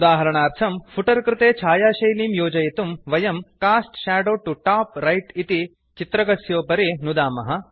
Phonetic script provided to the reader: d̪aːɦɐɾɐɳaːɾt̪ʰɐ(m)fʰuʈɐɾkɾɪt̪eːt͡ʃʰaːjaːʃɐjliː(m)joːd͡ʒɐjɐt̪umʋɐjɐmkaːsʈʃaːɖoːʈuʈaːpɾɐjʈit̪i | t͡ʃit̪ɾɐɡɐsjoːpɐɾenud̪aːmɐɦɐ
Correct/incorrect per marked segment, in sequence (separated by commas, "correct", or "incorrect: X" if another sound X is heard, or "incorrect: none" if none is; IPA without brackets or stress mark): correct, correct